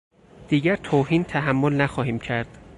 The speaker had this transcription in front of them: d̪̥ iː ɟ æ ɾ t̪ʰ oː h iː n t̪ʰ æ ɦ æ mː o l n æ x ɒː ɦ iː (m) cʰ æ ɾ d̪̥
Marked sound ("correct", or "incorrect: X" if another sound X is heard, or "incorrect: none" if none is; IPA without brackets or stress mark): correct